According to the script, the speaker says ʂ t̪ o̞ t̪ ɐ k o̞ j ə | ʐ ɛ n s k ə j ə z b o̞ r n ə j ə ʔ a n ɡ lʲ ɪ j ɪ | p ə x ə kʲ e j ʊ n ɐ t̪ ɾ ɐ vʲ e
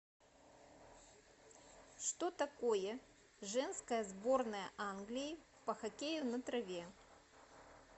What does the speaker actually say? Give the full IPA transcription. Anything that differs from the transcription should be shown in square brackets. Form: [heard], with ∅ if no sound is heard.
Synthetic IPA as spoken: ʂ t̪ o̞ t̪ ɐ k o̞ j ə | ʐ ɛ n s k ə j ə z b o̞ r n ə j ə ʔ a n ɡ lʲ ɪ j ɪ | p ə x [ɐ] kʲ e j ʊ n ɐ t̪ ɾ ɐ vʲ e